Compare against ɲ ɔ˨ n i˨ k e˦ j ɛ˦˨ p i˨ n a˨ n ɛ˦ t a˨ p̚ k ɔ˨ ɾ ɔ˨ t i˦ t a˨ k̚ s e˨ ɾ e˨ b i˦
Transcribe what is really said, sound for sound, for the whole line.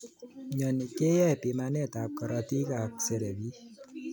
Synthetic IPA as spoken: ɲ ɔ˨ n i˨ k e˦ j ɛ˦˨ p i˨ m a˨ n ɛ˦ t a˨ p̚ k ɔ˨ ɾ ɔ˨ t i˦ k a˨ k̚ s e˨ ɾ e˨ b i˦